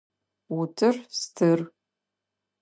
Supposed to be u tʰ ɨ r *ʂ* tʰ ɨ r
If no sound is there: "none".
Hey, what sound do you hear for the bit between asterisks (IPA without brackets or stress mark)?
s